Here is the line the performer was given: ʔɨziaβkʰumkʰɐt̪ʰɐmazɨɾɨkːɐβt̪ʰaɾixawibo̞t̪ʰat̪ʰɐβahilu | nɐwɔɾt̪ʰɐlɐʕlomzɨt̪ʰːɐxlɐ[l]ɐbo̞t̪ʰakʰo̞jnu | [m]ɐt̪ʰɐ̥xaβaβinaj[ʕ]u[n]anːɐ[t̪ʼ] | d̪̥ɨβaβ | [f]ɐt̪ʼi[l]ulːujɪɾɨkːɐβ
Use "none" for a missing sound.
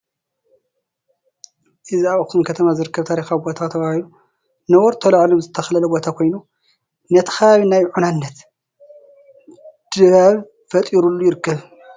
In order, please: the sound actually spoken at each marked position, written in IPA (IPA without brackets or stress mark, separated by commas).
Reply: l, n, ʕ, n, t̪, f, ɾ